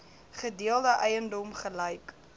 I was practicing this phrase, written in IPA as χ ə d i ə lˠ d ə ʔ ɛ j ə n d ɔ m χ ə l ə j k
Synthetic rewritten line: χ ə d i ə lˠ d ə ʔ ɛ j ə n d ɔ m χ ə l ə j k